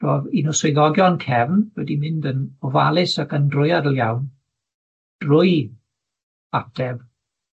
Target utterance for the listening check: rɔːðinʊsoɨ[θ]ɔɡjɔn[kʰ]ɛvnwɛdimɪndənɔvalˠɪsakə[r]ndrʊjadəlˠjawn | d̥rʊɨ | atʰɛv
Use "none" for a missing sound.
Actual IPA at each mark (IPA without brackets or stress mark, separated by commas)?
ð, kʰ, none